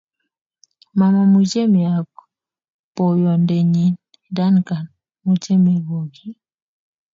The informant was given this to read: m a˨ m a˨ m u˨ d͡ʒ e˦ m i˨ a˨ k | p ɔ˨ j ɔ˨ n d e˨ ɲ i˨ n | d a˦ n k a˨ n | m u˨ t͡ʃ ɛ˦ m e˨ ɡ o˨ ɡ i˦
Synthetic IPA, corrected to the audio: m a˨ m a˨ m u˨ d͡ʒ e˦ m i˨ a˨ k | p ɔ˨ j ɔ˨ n d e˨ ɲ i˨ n | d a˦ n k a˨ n | m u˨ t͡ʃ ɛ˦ m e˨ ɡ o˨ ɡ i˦